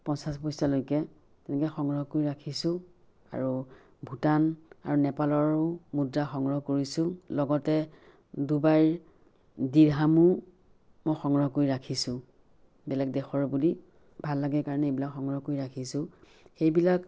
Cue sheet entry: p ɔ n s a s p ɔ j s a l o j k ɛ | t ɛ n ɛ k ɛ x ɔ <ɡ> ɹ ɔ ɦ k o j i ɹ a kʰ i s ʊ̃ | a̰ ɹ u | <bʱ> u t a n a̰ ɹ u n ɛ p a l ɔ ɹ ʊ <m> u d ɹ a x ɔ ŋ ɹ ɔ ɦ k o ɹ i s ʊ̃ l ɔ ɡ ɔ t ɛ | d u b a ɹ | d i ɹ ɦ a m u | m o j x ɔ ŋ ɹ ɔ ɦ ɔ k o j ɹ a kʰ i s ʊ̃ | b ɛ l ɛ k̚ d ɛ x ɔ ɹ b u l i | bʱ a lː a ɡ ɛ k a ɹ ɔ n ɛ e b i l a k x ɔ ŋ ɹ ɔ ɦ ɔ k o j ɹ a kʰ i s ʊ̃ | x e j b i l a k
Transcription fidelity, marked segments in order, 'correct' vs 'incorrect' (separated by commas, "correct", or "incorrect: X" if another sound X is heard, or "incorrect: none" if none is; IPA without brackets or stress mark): incorrect: ŋ, correct, correct